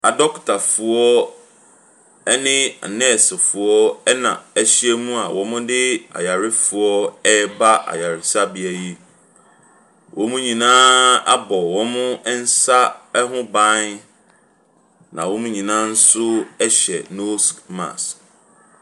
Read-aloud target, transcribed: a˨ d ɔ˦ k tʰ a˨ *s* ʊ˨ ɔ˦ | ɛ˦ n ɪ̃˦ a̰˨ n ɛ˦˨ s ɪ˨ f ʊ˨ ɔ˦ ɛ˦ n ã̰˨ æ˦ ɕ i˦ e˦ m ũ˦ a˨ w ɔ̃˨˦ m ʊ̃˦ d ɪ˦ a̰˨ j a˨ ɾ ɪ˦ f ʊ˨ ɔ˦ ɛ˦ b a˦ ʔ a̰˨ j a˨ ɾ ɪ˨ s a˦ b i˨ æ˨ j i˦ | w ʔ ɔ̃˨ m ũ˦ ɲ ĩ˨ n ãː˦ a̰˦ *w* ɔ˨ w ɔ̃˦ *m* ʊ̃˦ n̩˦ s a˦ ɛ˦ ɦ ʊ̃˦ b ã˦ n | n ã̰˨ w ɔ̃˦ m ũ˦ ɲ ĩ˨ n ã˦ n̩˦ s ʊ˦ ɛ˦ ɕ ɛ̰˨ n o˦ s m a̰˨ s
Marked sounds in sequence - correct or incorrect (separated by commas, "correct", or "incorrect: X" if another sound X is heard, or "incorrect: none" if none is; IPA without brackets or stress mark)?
incorrect: f, incorrect: b, correct